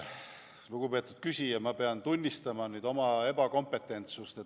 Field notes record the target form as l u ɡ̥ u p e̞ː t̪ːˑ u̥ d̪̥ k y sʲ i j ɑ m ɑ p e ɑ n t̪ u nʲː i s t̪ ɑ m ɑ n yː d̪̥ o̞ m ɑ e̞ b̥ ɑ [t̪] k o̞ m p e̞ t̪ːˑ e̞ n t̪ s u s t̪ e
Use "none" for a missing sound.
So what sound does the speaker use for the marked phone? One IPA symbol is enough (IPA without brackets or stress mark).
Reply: none